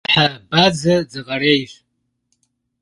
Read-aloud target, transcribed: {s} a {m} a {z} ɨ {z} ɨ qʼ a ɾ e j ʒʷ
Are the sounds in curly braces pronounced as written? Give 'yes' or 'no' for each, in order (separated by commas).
no, no, no, no